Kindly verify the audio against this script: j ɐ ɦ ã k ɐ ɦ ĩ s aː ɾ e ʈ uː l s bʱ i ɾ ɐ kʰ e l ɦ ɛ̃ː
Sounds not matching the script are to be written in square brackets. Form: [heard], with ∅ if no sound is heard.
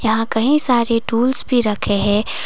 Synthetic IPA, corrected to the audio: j ɐ ɦ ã k ɐ ɦ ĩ s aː ɾ e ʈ uː l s bʱ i ɾ ɐ kʰ e [∅] ɦ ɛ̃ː